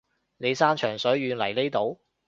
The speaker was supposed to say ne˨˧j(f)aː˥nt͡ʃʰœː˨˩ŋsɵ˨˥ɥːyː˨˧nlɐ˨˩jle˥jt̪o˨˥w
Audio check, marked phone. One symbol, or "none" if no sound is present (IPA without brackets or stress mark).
s